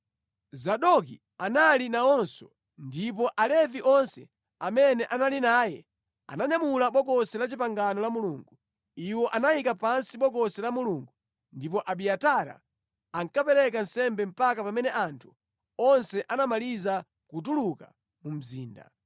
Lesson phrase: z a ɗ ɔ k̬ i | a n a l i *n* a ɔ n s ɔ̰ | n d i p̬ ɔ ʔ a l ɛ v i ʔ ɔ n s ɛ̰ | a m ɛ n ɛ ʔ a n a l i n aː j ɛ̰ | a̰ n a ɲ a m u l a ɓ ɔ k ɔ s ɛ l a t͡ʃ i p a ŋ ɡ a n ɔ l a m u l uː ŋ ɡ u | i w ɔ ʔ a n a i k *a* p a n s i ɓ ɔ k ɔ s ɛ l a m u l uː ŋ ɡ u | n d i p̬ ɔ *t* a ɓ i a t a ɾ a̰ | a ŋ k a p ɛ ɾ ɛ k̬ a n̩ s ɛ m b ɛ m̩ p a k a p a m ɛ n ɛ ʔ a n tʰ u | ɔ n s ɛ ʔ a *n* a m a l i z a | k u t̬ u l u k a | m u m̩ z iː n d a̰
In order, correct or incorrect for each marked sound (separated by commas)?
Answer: correct, correct, incorrect, correct